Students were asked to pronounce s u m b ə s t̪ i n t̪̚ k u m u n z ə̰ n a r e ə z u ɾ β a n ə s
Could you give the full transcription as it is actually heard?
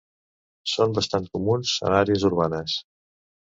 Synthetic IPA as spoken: s o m b ə s t̪ a n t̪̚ k u m u n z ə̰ n a ɾ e ə z u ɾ β a n ə s